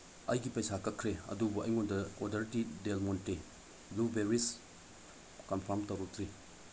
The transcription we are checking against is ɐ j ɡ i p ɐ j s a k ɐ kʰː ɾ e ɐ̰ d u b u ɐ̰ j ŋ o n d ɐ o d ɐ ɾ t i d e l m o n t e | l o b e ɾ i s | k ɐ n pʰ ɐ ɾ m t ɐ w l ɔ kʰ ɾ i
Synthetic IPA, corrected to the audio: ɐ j ɡ i p ɐ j s a k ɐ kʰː ɾ e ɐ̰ d u b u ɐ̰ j ŋ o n d ɐ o d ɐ ɾ t i d e l m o n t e | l u b e ɾ i s | k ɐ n pʰ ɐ ɾ m t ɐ w ɾ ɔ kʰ ɾ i